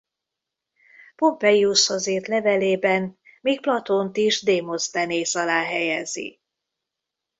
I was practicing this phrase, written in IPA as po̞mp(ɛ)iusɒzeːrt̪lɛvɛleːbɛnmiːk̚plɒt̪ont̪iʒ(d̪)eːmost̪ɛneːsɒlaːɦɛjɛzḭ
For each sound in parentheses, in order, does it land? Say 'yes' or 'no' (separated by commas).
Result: yes, yes